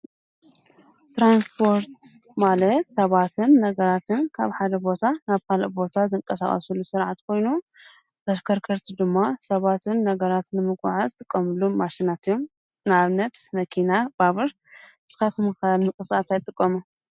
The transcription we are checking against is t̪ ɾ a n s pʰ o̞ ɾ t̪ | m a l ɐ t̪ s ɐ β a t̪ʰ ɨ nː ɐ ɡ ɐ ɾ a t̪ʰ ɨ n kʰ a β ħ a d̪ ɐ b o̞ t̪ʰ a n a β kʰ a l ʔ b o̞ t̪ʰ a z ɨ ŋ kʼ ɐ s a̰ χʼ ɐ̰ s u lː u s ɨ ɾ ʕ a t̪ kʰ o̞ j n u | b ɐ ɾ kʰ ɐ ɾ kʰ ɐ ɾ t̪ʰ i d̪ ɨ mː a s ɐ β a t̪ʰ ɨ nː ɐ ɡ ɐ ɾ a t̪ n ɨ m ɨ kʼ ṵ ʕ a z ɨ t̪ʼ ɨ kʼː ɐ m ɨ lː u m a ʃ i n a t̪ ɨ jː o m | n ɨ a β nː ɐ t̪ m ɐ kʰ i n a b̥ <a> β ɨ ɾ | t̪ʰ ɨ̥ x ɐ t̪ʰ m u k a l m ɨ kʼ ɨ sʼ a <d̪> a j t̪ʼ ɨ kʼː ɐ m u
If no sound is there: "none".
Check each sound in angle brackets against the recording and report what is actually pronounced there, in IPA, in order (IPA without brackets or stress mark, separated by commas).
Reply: a, t̪